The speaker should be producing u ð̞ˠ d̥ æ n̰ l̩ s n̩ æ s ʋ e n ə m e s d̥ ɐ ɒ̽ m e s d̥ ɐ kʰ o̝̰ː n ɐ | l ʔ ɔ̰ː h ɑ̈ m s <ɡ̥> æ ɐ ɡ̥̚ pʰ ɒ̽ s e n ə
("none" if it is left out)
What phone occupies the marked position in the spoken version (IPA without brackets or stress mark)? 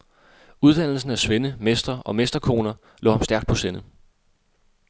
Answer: d̥